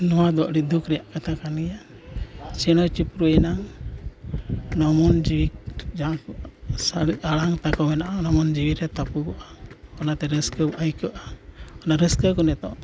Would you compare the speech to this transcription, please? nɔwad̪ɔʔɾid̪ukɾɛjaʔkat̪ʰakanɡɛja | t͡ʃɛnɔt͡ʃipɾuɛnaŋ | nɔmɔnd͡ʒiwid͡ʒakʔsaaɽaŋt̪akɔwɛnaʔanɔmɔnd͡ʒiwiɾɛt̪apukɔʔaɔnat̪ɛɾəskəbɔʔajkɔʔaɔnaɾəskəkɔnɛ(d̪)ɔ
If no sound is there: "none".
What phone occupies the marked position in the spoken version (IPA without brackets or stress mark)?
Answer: t̪